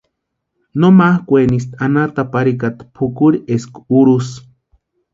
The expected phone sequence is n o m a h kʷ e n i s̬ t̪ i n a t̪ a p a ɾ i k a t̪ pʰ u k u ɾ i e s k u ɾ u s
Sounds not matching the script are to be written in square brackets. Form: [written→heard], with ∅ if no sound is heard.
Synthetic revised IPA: n o m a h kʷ e n i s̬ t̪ [i→a] n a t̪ a p a ɾ i k a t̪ pʰ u k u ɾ i e s k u ɾ u s